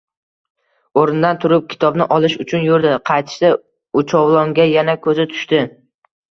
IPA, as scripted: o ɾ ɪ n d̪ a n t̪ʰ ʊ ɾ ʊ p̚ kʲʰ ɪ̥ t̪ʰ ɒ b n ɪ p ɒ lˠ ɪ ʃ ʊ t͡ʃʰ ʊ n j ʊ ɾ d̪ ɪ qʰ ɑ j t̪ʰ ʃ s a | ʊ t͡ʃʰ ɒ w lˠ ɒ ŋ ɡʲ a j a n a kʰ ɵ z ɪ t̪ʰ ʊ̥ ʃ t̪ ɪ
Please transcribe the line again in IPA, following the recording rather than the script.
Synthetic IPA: o ɾ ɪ n d̪ a n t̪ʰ ʊ ɾ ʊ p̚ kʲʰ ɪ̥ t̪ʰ ɒ b n ɪ ʔ ɒ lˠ ɪ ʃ ʊ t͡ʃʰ ʊ n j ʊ ɾ d̪ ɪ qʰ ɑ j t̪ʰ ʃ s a | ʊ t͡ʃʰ ɒ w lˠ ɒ ŋ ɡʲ a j a n a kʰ ɵ z ɪ t̪ʰ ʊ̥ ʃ t̪ ɪ

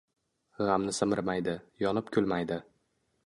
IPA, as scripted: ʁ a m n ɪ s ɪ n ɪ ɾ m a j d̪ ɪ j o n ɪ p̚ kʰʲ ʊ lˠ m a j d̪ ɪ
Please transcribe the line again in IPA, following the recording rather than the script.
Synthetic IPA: ʁ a m n ɪ s ɪ m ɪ ɾ m a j d̪ ɪ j ɒ n ɪ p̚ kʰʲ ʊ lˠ m a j d̪ ɪ

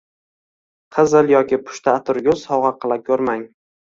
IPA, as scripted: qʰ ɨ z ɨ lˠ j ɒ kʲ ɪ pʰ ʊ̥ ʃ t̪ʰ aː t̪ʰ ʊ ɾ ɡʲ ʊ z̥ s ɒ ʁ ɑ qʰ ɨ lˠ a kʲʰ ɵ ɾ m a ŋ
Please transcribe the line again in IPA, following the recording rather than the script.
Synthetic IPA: qʰ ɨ z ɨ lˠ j ɒ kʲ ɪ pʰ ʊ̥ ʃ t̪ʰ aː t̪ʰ ʊ ɾ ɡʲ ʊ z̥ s ɒ ʁ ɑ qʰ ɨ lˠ a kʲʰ ɵ ɾ m a ŋ

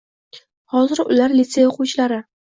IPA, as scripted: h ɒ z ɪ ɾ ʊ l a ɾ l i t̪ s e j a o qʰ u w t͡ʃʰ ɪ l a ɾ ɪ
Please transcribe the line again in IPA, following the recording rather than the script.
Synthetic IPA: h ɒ z ɪ ɾ ʊ l a ɾ l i t̪ s e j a o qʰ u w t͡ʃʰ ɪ l a ɾ ɪ

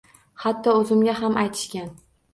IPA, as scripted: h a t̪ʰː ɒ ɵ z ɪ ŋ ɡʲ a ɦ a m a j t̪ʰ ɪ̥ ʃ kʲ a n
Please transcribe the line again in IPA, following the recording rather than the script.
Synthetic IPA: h a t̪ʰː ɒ ɵ z ɪ m ɡʲ a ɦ a m a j t̪ʰ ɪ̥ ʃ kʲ a n

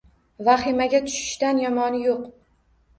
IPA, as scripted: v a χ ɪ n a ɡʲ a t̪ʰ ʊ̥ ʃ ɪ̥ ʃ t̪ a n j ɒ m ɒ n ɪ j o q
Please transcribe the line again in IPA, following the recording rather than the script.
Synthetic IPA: v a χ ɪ m a ɡʲ a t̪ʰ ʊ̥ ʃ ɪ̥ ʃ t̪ a n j ɒ m ɒ n ɪ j o q

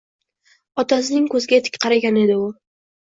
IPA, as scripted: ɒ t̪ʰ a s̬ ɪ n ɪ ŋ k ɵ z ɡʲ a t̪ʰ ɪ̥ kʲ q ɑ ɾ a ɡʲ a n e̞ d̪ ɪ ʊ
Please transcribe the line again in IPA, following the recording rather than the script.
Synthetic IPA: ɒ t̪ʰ a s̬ ɪ n ɪ ŋ k ɵ z ɡʲ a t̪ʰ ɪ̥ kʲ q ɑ ɾ a ɡʲ a n e̞ d̪ ɪ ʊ

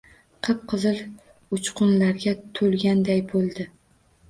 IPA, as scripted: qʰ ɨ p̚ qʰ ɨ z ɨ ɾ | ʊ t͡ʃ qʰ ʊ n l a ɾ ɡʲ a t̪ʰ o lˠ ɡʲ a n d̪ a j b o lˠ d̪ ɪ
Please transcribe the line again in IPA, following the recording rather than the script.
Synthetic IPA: qʰ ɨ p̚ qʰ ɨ z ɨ l | ʊ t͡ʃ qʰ ʊ n l a ɾ ɡʲ a t̪ʰ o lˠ ɡʲ a n d̪ a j b o lˠ d̪ ɪ

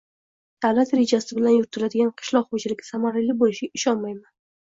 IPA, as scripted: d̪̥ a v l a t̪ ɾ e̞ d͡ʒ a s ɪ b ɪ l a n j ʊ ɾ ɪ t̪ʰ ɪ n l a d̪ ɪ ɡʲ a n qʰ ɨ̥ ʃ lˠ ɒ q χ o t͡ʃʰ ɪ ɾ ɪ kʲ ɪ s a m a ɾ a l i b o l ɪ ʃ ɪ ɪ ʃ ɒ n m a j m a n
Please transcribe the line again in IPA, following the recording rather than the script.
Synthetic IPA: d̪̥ a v l a t̪ ɾ e̞ d͡ʒ a s ɪ b ɪ l a n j ʊ ɾ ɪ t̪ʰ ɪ l a d̪ ɪ ɡʲ a n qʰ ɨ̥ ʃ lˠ ɒ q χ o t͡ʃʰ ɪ l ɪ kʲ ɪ s a m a ɾ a l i b o l ɪ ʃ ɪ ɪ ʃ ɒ n m a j m a n

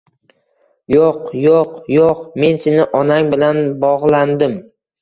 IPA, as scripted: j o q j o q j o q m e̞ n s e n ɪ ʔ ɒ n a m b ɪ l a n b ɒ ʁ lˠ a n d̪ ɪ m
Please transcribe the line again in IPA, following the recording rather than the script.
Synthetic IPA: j o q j o q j o q m e̞ n s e n ɪ ʔ ɒ n a ŋ b ɪ l a n b ɒ ʁ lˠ a n d̪ ɪ m

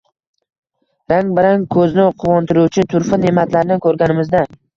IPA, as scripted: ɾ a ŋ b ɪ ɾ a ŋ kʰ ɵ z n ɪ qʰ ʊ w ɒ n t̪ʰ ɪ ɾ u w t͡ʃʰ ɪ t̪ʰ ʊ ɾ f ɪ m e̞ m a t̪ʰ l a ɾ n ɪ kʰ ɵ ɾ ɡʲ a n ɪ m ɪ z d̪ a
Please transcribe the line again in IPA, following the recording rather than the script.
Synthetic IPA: ɾ a ŋ b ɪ ɾ a ŋ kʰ ɵ z n ɪ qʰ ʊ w ɒ n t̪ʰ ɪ ɾ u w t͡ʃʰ ɪ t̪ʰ ʊ ɾ f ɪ n e̞ m a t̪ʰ l a ɾ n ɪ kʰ ɵ ɾ ɡʲ a n ɪ m ɪ z d̪ a

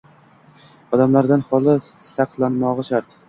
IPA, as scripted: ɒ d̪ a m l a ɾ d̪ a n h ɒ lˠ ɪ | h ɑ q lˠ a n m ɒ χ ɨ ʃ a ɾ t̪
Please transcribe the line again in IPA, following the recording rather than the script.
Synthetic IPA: ɒ d̪ a m l a ɾ d̪ a n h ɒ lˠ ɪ | s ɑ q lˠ a n m ɒ ʁ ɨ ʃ a ɾ t̪

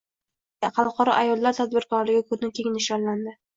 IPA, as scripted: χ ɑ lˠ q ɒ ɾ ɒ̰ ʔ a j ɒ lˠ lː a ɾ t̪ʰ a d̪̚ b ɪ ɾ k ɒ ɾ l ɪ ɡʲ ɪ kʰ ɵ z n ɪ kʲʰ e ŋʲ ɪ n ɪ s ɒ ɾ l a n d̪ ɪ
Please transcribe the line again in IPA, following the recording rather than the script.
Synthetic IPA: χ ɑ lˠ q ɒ ɾ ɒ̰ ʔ a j ɒ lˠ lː a ɾ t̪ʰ a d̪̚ b ɪ ɾ k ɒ ɾ l ɪ ɡʲ ɪ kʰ ɵ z n ɪ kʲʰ e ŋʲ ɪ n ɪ ʃ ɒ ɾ l a n d̪ ɪ

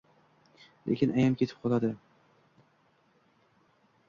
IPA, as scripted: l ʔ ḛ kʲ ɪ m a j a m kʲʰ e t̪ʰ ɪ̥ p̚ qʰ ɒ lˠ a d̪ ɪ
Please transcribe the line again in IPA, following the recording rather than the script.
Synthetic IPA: l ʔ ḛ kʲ ɪ n a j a m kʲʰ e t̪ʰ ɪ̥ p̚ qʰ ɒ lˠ a d̪ ɪ

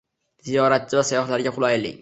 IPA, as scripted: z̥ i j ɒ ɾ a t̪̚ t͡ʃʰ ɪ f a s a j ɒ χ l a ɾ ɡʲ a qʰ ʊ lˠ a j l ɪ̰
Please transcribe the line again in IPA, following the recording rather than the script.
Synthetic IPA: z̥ i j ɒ ɾ a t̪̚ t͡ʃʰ ɪ v a s a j ɒ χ l a ɾ ɡʲ a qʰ ʊ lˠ a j l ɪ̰

